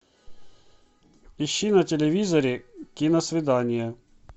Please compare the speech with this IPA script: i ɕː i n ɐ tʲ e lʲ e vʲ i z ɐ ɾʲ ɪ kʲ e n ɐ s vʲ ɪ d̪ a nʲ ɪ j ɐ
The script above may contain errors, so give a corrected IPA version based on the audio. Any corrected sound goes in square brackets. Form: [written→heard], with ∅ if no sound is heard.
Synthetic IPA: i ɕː i n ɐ tʲ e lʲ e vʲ i z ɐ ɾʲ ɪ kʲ [e→i] n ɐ s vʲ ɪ d̪ a nʲ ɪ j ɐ